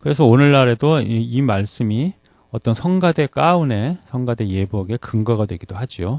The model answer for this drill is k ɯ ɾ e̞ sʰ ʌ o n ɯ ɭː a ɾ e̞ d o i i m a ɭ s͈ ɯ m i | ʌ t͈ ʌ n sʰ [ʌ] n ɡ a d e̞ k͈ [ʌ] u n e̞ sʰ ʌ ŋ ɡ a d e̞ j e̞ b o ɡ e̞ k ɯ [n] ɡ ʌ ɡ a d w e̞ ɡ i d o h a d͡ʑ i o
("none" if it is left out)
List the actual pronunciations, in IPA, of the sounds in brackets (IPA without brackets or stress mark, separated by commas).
ʌ, a, ŋ